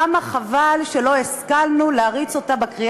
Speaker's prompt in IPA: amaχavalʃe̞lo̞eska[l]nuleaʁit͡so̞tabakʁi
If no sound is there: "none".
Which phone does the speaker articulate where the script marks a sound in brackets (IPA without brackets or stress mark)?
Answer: l